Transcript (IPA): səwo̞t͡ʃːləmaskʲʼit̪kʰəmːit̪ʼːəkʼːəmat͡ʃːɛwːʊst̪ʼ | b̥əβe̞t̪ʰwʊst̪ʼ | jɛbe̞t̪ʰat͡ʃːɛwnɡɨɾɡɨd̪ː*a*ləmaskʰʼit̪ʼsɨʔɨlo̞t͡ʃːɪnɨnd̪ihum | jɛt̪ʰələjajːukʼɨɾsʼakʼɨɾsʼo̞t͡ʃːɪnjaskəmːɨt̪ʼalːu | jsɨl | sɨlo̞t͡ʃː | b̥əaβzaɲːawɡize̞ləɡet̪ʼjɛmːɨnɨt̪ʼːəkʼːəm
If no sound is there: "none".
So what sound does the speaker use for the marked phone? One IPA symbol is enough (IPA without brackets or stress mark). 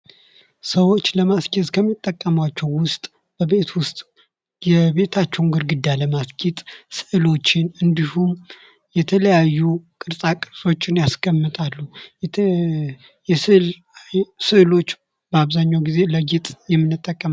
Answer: a